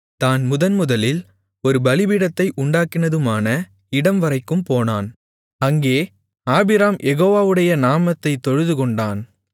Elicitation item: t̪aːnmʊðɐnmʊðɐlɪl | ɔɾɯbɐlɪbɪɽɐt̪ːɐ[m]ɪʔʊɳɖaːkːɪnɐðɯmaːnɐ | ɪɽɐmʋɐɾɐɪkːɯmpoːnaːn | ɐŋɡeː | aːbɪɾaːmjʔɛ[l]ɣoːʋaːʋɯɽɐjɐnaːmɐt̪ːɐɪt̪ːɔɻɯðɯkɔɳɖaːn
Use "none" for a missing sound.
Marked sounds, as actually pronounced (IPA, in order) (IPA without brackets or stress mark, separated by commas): none, none